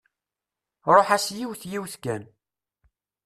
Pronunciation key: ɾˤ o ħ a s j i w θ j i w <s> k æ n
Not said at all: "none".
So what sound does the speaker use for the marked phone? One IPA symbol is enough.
θ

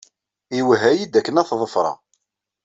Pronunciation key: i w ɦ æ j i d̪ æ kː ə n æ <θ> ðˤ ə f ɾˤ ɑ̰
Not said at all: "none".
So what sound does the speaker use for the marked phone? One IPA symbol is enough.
θ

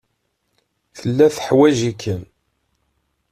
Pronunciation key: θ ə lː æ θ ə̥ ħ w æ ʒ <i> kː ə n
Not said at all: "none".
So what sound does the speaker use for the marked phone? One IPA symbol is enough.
i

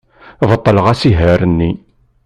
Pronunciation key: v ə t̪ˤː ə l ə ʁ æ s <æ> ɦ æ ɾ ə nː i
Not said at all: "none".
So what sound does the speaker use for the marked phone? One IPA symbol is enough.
i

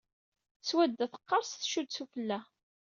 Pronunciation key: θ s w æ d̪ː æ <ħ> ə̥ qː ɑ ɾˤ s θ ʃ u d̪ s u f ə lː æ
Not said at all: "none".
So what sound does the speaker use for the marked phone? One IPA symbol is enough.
θ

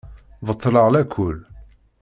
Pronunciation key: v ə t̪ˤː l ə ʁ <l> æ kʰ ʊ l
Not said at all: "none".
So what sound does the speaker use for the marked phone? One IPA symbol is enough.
l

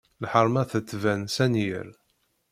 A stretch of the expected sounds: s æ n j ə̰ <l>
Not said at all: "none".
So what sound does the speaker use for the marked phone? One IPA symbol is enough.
ɾ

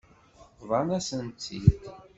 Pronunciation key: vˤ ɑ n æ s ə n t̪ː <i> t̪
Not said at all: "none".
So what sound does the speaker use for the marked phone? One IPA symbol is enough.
i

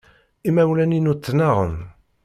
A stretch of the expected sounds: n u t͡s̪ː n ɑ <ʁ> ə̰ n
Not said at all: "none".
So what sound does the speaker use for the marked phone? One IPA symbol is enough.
ʁ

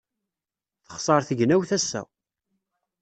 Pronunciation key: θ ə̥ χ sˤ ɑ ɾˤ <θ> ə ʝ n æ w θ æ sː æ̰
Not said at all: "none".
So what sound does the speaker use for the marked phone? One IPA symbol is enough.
θ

